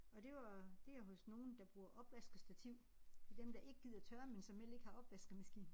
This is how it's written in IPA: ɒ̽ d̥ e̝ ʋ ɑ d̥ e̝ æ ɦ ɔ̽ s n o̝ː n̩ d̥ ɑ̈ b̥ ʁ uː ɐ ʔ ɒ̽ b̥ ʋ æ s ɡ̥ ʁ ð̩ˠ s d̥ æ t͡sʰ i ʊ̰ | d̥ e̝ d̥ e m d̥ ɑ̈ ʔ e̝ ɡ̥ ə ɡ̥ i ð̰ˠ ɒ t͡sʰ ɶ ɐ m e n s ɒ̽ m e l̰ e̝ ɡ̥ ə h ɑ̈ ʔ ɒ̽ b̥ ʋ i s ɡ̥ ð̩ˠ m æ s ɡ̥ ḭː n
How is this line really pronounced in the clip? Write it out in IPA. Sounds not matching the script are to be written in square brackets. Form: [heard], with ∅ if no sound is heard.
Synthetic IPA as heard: ɒ̽ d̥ e̝ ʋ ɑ d̥ e̝ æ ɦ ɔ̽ s n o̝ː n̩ d̥ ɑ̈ b̥ ʁ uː ɐ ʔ ɒ̽ b̥ ʋ æ s ɡ̥ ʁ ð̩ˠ s d̥ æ t͡sʰ i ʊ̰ | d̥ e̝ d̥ e m d̥ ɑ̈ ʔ e̝ ɡ̥ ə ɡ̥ i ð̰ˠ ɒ t͡sʰ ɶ ɐ m e n s ɒ̽ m e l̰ e̝ ɡ̥ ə h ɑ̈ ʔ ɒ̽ b̥ ʋ [æ] s ɡ̥ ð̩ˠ m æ s ɡ̥ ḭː n